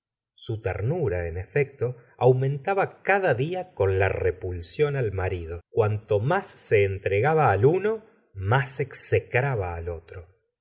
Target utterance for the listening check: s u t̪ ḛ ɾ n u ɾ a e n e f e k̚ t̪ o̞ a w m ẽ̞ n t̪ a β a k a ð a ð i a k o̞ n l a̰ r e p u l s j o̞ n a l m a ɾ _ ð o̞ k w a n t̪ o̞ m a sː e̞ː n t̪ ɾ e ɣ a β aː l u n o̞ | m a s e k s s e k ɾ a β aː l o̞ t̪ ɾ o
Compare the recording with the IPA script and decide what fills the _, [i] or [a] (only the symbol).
i